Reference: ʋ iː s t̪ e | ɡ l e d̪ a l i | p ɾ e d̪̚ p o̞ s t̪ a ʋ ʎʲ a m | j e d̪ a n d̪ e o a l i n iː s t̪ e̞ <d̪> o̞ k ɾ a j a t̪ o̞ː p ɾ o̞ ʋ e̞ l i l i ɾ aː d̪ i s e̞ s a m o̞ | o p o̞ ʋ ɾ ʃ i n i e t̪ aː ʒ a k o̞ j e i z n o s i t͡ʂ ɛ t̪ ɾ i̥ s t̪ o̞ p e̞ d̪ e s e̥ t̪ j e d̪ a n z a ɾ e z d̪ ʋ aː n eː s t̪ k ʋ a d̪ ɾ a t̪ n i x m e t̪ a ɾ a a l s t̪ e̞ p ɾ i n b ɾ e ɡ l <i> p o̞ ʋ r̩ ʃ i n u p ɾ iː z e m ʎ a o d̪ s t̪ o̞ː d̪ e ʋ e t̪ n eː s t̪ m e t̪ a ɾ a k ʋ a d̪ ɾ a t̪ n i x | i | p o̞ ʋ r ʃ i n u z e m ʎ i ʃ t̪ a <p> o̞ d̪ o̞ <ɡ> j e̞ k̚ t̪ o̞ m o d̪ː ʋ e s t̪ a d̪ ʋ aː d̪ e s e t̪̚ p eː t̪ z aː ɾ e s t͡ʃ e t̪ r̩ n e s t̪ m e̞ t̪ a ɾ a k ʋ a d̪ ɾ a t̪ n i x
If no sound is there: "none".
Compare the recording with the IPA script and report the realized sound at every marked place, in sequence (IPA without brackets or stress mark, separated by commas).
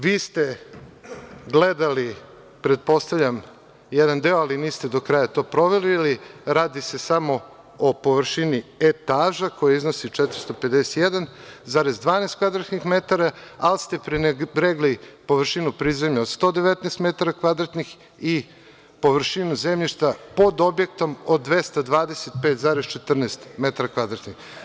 d̪, i, p, b